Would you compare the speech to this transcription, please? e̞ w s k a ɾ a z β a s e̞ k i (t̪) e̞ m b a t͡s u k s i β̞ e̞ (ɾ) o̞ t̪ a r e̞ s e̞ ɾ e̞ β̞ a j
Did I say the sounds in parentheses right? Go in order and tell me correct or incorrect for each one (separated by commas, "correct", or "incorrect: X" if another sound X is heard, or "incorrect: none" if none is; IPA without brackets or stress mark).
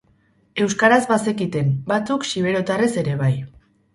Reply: correct, correct